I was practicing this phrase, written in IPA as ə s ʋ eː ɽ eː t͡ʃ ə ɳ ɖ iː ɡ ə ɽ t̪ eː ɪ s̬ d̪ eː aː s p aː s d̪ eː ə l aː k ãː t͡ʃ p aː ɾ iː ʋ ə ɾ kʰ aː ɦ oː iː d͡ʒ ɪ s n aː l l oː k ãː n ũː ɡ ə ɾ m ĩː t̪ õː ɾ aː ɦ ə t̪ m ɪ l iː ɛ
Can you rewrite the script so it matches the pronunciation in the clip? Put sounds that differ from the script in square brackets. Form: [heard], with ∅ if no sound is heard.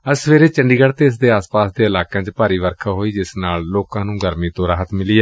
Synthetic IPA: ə s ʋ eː [ɾ] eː t͡ʃ ə ɳ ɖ iː ɡ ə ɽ t̪ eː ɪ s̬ d̪ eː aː s p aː s d̪ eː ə l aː k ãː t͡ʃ p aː ɾ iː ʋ ə ɾ kʰ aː ɦ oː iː d͡ʒ ɪ s n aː l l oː k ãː n ũː ɡ ə ɾ m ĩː t̪ õː ɾ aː ɦ ə t̪ m ɪ l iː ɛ